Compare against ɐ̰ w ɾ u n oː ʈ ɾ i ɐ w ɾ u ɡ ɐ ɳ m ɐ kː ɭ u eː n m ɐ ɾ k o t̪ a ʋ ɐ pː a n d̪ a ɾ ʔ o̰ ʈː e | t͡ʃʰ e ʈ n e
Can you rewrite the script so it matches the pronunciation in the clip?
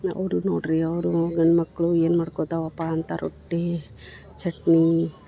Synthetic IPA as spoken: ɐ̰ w ɾ u n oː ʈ ɾ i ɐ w ɾ u ɡ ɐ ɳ m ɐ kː ɭ u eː n m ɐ ɽ k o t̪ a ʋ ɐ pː a n t̪ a ɾ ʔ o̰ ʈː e | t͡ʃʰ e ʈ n i

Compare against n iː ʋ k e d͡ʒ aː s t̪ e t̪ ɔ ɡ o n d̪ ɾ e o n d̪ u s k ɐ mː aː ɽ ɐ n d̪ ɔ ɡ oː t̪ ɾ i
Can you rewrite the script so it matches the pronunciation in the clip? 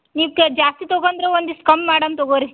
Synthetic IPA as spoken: n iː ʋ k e d͡ʒ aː s t̪ i t̪ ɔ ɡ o n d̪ ɾ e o n d̪ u s k ɐ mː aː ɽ ɐ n t̪ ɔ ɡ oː ɾ i

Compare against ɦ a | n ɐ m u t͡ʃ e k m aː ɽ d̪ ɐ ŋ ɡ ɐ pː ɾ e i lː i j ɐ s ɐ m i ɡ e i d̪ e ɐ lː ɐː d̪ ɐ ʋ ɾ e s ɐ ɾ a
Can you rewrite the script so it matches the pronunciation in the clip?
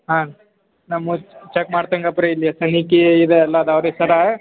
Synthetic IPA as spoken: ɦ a | n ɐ m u t͡ʃ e k m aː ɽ t̪ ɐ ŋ ɡ ɐ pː ɾ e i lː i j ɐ s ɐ n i k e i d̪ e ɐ lː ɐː d̪ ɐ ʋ ɾ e s ɐ ɾ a

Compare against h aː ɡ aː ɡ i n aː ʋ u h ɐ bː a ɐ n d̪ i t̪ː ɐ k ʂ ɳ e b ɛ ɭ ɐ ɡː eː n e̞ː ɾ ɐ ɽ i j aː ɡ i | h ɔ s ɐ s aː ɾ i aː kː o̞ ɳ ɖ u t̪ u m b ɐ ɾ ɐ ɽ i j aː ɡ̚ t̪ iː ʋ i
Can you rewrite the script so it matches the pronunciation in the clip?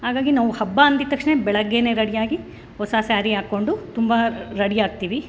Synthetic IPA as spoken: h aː ɡ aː ɡ i n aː ʋ u h ɐ bː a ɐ n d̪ i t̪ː ɐ k ʂ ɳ e b ɛ ɭ ɐ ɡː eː n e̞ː ɾ ɐ ɽ i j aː ɡ i | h ɔ s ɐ s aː ɾ i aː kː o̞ ɳ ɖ u t̪ u m b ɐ ɾ ɐ ɽ i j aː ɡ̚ t̪ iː ʋ i

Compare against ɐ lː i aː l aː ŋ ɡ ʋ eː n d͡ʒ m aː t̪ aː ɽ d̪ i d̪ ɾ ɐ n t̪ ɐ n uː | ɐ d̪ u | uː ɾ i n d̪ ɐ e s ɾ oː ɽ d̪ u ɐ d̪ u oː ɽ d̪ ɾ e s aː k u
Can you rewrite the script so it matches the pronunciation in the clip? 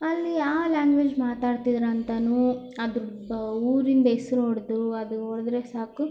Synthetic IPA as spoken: ɐ lː i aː l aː ŋ ɡ ʋ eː d͡ʒ m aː t̪ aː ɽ t̪ i d̪ ɾ ɐ n t̪ ɐ n uː | ɐ d̪ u | uː ɾ i n d̪ ɐ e s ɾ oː ɽ d̪ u ɐ d̪ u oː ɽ d̪ ɾ e s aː k u

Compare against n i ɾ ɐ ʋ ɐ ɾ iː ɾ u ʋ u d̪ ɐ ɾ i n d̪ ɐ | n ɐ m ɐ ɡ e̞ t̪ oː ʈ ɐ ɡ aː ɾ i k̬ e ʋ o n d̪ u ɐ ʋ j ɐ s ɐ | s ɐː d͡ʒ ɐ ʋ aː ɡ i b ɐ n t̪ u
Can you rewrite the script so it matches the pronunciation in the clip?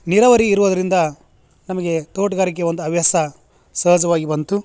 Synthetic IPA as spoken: n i ɾ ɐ ʋ ɐ ɾ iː ɾ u ʋ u d̪ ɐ ɾ i n d̪ ɐ | n ɐ m ɐ ɡ e̞ t̪ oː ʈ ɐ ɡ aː ɾ i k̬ e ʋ o n d̪ u ɐ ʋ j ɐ s ɐ | s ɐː d͡ʒ ɐ ʋ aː ɡ i b ɐ n t̪ u

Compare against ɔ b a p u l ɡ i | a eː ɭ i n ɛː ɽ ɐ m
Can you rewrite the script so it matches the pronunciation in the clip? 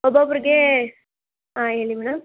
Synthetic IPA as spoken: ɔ b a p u ɾ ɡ e | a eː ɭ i m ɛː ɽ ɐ m

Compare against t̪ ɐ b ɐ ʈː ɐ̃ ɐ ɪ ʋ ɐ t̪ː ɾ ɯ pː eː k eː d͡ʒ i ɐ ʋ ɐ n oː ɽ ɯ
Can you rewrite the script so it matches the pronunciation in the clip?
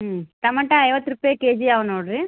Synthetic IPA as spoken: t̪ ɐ m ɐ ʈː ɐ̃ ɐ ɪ ʋ ɐ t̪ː ɾ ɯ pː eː k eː d͡ʒ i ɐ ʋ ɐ n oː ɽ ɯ

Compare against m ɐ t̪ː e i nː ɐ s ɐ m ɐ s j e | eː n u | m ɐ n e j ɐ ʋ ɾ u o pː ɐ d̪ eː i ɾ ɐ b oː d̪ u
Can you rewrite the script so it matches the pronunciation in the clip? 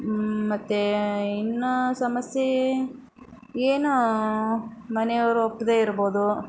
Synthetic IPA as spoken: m ɐ t̪ː e i nː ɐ s ɐ m ɐ s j e | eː n u | m ɐ n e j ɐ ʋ ɾ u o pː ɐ d̪ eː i ɾ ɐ b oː d̪ u

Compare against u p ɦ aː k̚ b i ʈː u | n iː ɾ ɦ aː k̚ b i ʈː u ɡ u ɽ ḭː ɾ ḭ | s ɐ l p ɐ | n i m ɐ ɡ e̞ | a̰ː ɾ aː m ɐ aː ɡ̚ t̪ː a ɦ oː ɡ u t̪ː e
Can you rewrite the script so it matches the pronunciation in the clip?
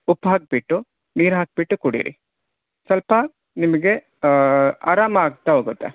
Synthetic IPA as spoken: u p ɦ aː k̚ b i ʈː u | n iː ɾ ɦ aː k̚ b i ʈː u k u ɽ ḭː ɾ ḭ | s ɐ l p ɐ | n i m ɐ ɡ e̞ | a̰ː ɾ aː m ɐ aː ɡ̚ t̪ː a ɦ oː ɡ u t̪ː e

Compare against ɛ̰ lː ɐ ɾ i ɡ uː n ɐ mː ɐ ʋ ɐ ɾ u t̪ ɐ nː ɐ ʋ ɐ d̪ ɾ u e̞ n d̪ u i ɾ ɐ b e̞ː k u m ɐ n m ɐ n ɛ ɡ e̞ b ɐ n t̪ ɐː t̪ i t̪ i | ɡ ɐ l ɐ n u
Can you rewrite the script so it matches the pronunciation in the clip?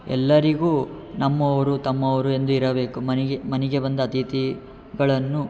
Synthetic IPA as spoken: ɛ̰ lː ɐ ɾ i ɡ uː n ɐ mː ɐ ʋ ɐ ɾ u t̪ ɐ mː ɐ ʋ ɐ ɾ u e̞ n d̪ u i ɾ ɐ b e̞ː k u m ɐ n m ɐ n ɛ ɡ e̞ b ɐ n d̪ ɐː t̪ i t̪ i | ɡ ɐ ɭ ɐ nː u

